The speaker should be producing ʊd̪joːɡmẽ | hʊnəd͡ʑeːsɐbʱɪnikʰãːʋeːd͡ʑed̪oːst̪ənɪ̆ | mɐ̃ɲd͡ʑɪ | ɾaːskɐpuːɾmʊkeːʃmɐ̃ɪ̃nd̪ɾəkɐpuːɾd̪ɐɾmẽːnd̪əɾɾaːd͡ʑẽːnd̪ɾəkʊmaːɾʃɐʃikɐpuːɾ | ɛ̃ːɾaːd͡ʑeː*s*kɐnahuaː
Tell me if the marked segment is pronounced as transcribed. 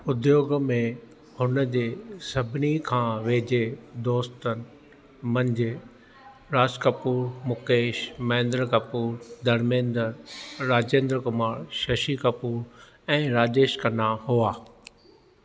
no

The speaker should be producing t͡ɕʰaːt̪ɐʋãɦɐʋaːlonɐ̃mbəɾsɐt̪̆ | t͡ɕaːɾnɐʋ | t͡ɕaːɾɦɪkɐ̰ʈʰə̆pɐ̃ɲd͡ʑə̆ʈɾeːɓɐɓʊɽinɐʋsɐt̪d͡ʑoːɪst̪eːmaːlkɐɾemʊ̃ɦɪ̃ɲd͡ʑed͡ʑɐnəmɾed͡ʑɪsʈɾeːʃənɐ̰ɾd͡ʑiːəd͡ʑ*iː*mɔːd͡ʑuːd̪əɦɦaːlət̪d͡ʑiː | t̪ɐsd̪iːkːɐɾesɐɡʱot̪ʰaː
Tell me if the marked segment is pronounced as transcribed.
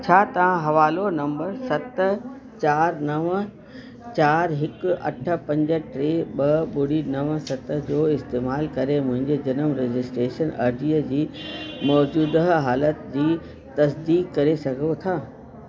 yes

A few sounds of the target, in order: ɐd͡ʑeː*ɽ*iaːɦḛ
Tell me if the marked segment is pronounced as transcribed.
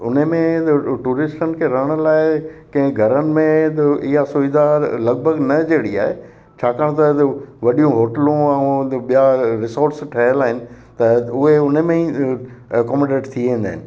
yes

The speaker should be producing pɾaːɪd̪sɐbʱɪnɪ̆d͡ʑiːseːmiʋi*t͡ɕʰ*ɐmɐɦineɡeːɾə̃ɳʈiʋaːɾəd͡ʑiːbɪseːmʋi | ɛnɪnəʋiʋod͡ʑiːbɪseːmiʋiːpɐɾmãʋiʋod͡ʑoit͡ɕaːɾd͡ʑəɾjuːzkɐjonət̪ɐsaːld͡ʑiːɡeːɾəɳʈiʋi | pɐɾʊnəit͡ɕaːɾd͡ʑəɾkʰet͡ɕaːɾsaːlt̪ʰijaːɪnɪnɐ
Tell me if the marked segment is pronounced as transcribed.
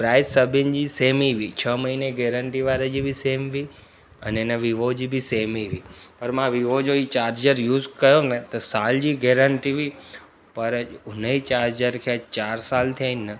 yes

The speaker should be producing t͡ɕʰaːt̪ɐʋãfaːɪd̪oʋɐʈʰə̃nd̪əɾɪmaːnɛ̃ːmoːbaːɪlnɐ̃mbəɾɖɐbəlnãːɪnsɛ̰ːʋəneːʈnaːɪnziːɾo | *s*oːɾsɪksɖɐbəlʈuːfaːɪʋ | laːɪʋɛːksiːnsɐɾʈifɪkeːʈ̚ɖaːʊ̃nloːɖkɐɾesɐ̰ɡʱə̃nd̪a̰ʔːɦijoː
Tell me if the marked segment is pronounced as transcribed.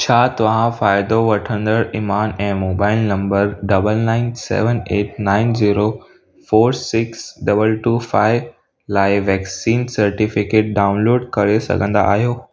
no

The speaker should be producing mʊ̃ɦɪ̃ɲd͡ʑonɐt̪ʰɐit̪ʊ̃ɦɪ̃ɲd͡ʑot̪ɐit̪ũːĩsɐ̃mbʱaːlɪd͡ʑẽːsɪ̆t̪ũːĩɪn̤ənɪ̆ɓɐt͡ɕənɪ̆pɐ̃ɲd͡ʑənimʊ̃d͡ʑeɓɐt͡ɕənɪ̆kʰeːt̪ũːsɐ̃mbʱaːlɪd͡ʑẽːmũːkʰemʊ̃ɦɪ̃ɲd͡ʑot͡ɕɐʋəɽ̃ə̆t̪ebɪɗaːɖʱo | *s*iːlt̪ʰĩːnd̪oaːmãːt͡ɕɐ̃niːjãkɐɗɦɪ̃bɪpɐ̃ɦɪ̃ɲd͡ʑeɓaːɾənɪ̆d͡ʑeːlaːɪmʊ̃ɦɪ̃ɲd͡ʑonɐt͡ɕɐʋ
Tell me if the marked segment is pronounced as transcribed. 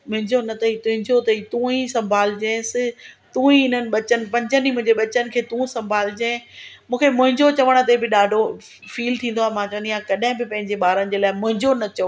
no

